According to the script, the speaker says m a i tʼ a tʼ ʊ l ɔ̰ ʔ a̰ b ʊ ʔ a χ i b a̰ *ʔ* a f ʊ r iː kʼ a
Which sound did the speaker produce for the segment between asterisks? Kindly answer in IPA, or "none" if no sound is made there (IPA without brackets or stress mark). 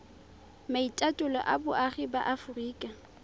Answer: ʔ